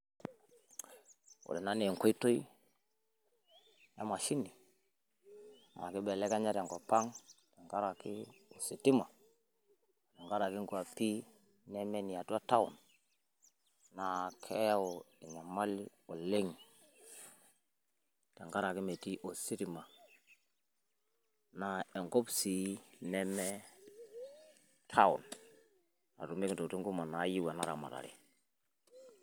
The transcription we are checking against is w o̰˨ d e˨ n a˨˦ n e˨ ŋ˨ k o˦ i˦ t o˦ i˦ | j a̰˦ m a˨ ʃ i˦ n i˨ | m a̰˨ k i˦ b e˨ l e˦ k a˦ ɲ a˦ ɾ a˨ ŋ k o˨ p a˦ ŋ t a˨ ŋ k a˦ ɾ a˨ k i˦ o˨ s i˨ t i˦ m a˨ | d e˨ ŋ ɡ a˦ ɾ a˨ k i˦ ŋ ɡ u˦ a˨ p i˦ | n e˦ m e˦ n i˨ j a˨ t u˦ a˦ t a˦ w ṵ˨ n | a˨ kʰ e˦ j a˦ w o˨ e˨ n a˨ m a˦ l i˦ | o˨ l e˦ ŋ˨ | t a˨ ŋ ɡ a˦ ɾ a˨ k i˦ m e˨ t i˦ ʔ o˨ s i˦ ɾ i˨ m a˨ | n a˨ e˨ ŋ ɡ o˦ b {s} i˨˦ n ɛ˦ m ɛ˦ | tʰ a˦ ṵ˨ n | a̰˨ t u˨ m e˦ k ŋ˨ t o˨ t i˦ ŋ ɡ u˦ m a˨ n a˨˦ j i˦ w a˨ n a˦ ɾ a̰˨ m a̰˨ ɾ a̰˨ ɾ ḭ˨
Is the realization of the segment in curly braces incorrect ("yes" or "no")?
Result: no